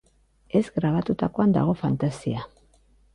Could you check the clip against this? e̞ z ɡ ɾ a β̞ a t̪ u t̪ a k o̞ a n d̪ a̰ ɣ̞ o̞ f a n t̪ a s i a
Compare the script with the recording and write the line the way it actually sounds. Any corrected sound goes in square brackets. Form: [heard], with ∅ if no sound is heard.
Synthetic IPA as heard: e̞ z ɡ ɾ a β̞ a t̪ u t̪ a k o̞ a n d̪ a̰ ɣ̞ o̞ f a n t̪ a s i a